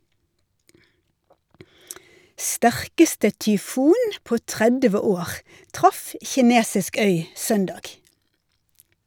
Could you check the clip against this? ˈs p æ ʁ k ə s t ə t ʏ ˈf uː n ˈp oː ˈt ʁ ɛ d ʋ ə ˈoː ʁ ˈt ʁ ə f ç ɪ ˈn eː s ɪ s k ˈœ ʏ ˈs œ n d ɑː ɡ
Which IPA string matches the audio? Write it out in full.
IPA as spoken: ˈs t æ ʁ k ə s t ə t ʏ ˈf uː n ˈp oː ˈt ʁ ɛ d ʋ ə ˈoː ʁ ˈt ʁ ɑ f ç ɪ ˈn eː s ɪ s k ˈœ ʏ ˈs œ n d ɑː ɡ